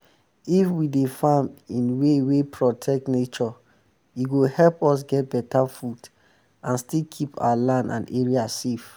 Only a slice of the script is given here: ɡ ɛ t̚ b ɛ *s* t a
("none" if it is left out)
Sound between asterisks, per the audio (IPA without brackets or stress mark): none